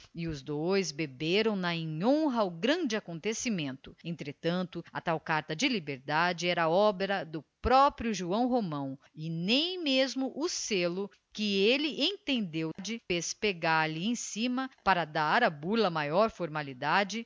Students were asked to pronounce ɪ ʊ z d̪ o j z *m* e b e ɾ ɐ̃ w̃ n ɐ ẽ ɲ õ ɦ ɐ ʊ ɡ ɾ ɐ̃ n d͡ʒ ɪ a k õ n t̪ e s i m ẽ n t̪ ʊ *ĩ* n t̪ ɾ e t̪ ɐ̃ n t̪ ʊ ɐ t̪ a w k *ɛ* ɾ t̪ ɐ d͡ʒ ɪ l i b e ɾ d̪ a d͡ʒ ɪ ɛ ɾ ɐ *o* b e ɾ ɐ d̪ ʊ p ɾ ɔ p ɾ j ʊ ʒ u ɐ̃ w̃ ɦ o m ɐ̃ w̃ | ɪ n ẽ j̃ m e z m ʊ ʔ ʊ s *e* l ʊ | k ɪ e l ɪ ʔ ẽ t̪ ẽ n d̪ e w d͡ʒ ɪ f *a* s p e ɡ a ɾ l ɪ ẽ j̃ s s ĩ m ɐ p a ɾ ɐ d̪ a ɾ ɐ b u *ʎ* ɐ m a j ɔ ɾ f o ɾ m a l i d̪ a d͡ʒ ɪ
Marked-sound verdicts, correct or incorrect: incorrect: b, incorrect: ẽ, incorrect: a, incorrect: ɔ, correct, incorrect: e, incorrect: l

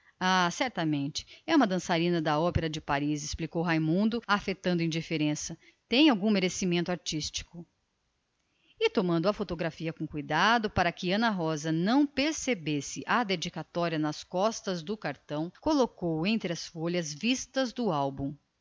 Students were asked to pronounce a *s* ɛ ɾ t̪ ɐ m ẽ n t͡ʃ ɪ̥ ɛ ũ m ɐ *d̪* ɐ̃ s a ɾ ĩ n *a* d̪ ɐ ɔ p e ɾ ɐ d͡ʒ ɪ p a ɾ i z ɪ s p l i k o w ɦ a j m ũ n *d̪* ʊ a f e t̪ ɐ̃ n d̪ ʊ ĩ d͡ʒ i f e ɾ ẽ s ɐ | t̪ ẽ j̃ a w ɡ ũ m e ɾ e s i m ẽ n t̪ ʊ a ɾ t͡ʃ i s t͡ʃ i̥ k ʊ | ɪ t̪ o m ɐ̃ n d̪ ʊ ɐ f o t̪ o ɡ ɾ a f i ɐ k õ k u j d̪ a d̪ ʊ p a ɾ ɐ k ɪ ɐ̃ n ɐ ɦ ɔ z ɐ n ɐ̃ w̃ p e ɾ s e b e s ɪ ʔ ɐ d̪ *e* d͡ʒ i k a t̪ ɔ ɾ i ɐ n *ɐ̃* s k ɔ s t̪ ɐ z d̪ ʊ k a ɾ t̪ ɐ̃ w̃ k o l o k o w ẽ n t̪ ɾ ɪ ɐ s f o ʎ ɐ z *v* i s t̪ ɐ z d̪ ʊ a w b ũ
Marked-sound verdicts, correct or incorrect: correct, correct, incorrect: ɐ, correct, correct, incorrect: ɐ, correct

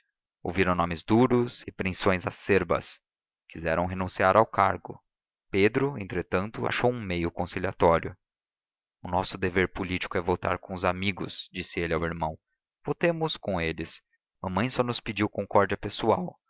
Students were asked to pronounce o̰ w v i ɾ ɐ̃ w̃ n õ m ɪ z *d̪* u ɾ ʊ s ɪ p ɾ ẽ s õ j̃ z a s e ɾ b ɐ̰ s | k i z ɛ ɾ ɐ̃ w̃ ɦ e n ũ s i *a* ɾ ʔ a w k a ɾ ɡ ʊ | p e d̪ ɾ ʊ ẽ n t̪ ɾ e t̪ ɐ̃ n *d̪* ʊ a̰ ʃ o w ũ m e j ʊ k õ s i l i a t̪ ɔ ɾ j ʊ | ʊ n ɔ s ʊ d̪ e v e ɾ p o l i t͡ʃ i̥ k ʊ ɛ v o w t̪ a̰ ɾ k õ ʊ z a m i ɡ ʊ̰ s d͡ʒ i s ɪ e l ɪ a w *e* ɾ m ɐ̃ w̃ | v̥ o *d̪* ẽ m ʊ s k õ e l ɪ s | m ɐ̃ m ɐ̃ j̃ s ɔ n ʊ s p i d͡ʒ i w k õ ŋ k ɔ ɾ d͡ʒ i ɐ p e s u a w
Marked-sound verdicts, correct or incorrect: correct, correct, incorrect: t̪, incorrect: i, incorrect: t̪

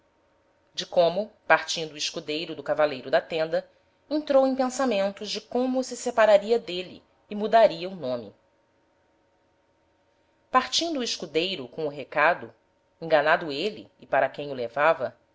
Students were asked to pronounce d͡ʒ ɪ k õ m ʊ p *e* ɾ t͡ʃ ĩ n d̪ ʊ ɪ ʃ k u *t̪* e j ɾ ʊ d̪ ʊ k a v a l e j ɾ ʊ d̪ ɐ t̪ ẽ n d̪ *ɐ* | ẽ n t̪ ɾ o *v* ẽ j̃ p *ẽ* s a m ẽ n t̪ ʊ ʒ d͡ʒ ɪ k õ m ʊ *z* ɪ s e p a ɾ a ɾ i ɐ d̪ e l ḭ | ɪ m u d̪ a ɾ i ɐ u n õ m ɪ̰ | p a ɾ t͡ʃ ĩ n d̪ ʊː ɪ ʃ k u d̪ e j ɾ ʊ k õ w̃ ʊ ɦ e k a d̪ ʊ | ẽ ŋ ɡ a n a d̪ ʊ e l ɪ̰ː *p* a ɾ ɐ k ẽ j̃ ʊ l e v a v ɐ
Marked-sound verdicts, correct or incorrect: incorrect: a, incorrect: d̪, correct, incorrect: w, correct, incorrect: s, correct

